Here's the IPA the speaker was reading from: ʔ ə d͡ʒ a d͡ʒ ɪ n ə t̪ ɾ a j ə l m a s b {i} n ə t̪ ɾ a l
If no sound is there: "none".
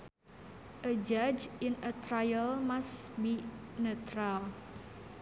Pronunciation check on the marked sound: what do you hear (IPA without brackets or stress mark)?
i